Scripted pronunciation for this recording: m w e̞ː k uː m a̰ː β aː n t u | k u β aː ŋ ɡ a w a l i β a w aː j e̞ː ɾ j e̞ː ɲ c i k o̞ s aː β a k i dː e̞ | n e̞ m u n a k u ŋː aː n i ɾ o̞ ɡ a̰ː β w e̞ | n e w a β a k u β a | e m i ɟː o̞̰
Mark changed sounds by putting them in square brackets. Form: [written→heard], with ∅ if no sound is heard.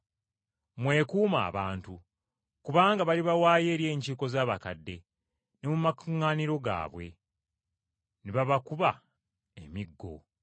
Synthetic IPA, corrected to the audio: m w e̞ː k uː m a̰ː β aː n t u | k u β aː ŋ ɡ a [w→β] a l i β a w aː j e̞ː ɾ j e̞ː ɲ c i k o̞ [s→z] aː β a k [i→a] dː e̞ | n e̞ m u [n→m] a k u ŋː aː n i ɾ o̞ ɡ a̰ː β w e̞ | n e [w→β] a β a k u β a | e m i [ɟː→ɡː] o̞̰